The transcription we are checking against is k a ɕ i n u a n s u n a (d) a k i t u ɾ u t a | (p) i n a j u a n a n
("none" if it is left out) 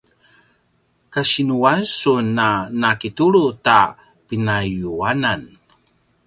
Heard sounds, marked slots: n, p

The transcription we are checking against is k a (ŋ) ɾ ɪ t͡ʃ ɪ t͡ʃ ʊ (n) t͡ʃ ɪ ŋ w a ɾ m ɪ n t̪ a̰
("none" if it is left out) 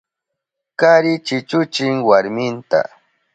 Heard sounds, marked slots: none, none

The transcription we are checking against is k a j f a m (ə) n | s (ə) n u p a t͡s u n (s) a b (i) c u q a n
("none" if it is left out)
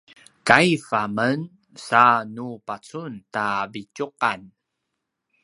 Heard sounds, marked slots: ə, a, t, i

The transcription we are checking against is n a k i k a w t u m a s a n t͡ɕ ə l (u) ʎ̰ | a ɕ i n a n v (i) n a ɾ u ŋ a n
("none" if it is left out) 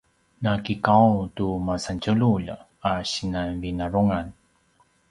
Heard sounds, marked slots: u, i

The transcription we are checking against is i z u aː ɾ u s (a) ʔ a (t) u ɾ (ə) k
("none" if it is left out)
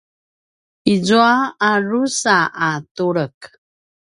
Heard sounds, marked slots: a, t, ə

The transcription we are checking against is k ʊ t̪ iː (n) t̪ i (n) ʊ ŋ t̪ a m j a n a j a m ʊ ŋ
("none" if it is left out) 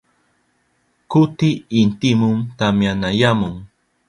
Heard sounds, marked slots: n, m

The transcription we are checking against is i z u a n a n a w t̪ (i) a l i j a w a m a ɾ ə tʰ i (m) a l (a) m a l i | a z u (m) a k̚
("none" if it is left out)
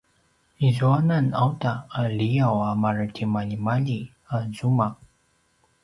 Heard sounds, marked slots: a, m, i, m

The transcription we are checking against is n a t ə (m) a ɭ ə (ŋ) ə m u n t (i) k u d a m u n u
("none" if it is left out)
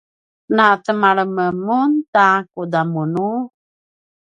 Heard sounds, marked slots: m, m, a

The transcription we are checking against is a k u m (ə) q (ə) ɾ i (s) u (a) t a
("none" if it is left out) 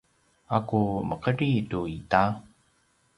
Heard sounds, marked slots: ə, ə, t, i

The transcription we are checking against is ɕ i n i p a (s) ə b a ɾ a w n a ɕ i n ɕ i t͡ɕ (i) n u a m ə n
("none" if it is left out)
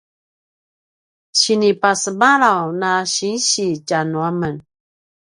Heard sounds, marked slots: s, a

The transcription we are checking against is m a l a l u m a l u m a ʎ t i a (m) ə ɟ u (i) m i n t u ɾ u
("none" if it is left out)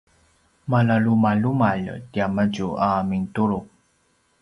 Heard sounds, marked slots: m, a

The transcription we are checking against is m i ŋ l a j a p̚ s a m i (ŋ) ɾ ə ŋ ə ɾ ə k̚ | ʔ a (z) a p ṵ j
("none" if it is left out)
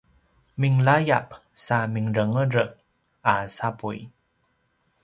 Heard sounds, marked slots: ŋ, s

